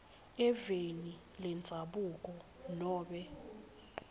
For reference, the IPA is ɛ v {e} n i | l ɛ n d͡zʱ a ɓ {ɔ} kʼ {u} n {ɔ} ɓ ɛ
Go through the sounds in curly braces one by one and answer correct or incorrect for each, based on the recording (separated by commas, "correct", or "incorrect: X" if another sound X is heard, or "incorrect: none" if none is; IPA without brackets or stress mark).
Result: correct, incorrect: u, incorrect: ɔ, incorrect: ɔː